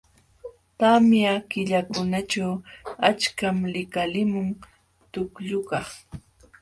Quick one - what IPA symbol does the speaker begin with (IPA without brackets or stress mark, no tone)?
t̪